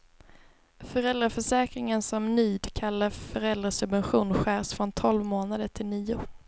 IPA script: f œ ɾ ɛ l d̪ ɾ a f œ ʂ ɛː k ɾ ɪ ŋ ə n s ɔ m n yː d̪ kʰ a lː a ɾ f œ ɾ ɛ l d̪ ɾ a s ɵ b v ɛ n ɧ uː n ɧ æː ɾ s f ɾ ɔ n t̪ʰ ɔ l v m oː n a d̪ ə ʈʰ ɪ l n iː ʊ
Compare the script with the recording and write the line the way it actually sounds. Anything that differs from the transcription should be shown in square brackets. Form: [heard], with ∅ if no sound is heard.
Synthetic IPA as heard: f œ ɾ ɛ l d̪ ɾ a f œ ʂ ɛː k ɾ ɪ ŋ ə n s ɔ m n yː d̪ kʰ a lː a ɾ f œ ɾ ɛ l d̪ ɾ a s ɵ b v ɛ n ɧ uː n ɧ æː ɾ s f ɾ ɔ n t̪ʰ ɔ l v m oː n a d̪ ə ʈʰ ɪ l n iː ʊ